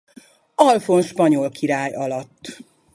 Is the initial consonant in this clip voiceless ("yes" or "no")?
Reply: no